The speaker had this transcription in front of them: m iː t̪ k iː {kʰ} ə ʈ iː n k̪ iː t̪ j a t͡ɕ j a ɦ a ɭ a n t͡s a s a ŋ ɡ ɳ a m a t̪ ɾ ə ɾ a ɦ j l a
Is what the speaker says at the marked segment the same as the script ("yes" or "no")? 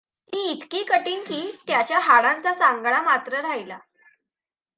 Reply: no